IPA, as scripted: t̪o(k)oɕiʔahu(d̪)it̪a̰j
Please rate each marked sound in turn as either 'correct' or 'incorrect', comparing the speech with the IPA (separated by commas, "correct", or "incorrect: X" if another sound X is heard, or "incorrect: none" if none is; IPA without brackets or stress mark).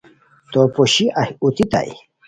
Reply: incorrect: p, incorrect: t̪